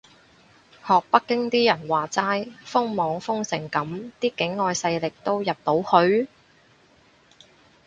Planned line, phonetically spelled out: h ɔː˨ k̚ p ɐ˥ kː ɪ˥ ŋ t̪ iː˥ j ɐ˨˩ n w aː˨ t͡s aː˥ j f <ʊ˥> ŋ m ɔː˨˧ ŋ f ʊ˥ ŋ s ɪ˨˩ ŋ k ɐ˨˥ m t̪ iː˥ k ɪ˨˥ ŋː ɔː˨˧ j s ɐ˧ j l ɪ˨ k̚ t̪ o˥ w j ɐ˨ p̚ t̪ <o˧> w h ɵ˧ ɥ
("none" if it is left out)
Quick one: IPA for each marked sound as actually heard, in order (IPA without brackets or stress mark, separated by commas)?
ʊ˥, o˨˥